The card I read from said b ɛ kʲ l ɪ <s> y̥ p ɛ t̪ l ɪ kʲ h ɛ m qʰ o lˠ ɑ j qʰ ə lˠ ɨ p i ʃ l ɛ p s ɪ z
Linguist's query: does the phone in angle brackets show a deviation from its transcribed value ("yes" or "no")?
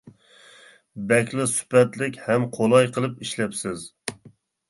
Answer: no